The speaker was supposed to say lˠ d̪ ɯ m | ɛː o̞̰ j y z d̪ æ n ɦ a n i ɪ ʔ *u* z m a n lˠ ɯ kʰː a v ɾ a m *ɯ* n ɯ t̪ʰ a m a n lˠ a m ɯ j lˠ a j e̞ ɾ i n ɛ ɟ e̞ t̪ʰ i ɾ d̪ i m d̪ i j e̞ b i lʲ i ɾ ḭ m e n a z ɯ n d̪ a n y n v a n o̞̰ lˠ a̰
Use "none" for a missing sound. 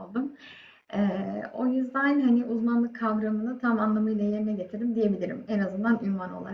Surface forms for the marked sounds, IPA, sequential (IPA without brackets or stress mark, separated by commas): u, ɯ